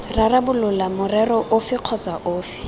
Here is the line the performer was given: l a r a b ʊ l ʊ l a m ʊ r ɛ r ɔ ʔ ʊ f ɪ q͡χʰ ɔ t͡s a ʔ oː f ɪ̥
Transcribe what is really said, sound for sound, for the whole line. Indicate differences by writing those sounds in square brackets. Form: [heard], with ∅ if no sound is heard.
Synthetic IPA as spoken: [r] a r a b ʊ l ʊ l a m ʊ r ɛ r ɔ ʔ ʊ f ɪ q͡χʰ ɔ t͡s a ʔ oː f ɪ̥